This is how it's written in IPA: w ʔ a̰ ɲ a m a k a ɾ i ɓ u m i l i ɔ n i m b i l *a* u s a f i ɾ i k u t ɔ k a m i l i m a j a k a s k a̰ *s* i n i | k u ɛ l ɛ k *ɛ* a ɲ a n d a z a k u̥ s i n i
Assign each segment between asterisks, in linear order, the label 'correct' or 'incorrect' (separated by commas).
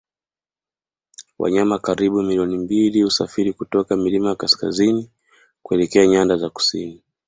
incorrect, incorrect, correct